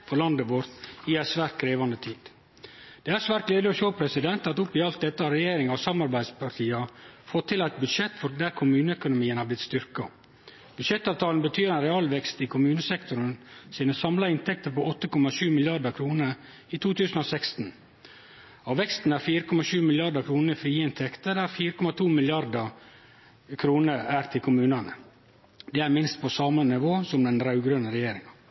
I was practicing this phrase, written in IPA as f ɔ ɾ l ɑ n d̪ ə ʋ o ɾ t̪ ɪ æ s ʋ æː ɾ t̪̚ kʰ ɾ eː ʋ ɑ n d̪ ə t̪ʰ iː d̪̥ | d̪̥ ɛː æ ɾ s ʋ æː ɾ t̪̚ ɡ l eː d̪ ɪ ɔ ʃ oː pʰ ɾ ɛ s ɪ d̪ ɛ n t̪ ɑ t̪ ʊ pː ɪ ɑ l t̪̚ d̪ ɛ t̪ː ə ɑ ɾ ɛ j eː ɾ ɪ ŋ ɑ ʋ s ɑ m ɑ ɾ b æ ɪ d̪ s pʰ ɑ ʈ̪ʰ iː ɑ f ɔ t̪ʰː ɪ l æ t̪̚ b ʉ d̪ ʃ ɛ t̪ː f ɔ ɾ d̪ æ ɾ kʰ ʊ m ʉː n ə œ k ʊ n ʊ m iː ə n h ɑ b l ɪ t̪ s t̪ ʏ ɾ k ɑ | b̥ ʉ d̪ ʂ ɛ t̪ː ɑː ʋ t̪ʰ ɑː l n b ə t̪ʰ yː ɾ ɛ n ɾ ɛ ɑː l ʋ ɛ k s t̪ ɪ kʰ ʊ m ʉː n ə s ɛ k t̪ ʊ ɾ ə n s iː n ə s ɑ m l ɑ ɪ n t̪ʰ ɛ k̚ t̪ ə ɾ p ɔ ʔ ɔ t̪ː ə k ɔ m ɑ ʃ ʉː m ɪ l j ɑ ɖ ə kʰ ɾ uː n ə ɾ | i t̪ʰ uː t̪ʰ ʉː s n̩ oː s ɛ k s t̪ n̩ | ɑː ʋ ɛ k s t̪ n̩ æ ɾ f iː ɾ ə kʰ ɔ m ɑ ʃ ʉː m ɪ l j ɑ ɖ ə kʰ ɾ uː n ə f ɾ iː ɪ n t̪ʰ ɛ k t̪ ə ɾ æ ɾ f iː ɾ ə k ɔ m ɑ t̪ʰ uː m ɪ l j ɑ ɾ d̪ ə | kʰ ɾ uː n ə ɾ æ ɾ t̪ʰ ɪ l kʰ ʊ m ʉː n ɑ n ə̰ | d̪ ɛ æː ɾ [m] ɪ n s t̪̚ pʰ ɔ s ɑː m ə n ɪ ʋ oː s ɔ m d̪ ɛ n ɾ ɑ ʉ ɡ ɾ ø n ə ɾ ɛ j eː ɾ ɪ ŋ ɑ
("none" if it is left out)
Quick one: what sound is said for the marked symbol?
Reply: m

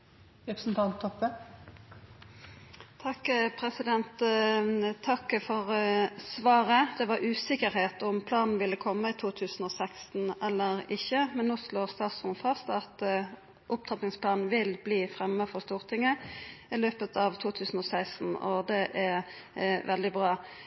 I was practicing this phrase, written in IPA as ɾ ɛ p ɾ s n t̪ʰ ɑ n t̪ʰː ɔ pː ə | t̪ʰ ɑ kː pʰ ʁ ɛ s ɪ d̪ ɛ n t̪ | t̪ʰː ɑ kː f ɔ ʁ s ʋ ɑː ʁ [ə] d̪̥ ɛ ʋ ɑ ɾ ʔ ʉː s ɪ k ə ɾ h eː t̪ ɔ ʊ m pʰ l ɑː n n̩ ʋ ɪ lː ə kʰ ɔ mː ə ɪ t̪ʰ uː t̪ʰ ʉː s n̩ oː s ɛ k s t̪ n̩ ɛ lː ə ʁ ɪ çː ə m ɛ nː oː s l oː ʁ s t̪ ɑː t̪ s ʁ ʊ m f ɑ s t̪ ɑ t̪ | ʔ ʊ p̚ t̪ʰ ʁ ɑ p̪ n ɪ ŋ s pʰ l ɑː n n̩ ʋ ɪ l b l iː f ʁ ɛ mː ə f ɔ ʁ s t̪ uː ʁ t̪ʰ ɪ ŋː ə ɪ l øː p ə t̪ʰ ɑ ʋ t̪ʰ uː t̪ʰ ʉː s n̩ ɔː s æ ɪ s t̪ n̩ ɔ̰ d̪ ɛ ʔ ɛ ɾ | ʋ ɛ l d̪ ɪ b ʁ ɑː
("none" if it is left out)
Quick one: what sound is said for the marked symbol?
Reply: ə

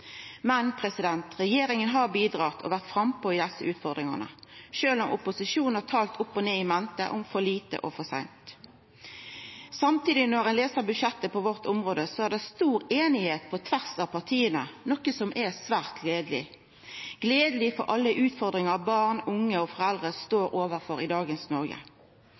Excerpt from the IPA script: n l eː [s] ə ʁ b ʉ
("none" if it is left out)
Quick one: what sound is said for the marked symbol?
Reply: s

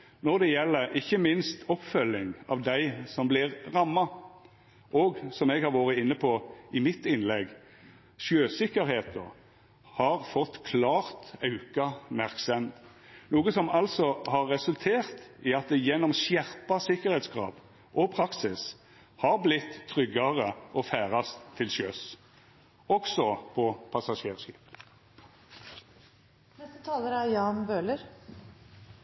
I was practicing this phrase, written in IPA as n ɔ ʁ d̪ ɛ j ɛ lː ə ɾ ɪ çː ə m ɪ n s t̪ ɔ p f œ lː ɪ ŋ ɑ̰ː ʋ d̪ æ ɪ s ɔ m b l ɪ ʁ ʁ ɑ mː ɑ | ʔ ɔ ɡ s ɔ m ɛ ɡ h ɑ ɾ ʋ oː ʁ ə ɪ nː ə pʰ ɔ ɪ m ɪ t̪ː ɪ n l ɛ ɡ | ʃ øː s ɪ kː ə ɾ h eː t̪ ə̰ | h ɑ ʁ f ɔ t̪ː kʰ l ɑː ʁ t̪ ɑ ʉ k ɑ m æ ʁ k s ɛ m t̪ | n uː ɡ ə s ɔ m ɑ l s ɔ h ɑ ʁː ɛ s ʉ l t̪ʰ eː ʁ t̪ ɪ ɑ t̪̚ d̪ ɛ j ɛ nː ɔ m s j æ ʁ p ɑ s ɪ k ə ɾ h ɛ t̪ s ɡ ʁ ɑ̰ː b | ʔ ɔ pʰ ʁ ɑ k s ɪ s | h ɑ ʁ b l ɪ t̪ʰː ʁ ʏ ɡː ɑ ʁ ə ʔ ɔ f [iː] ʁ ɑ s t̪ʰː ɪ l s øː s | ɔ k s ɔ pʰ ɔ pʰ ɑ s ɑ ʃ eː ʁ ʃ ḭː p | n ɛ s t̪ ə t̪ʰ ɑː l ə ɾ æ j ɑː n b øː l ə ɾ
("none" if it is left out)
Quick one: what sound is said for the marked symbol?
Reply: æː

